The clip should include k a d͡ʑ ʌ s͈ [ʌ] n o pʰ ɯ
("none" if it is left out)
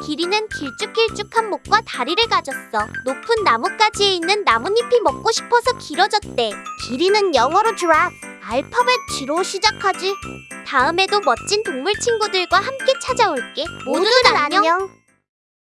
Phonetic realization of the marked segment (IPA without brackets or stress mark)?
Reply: ʌ